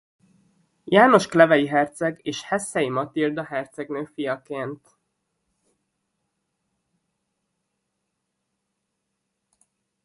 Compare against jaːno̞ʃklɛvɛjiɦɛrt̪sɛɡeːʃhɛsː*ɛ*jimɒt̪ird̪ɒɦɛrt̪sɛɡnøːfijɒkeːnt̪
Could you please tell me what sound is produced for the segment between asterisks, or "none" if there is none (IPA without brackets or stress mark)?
ɛ